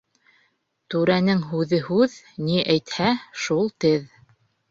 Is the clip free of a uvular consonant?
yes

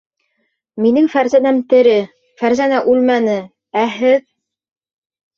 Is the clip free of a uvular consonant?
yes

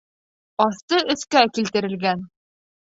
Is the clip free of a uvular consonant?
yes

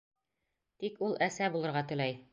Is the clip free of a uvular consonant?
no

